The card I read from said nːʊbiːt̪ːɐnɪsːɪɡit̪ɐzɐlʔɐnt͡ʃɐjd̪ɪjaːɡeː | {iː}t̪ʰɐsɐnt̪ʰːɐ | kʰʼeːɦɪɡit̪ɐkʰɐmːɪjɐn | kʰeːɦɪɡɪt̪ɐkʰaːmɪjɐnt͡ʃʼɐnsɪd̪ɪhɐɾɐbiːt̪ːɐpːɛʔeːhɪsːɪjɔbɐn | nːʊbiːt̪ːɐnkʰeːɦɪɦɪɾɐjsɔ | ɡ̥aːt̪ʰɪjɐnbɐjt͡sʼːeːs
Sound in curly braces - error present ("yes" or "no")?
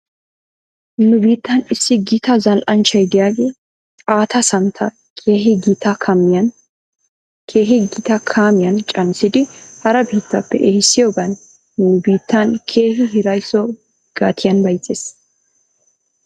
yes